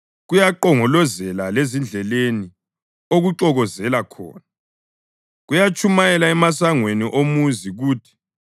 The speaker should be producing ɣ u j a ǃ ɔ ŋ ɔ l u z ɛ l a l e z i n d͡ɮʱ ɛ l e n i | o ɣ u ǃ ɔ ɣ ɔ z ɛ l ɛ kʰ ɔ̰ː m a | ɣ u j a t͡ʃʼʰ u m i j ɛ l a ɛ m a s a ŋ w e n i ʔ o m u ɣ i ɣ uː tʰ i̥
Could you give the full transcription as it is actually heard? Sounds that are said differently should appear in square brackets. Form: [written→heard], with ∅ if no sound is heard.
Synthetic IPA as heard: ɣ u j a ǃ ɔ ŋ ɔ l [u→ɔ] z ɛ l a l e z i n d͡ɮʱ ɛ l e n i | o ɣ u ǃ ɔ ɣ ɔ z ɛ l [ɛ→a] kʰ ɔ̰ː [m→n] a | ɣ u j a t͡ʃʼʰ u m [i→a] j ɛ l a ɛ m a s a ŋ w e n i ʔ o m u [ɣ→z] i ɣ uː tʰ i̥